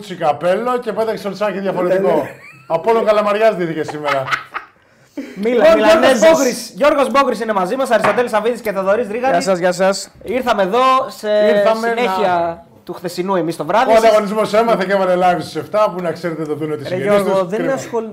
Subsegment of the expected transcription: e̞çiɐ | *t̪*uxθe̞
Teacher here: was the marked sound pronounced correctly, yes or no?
yes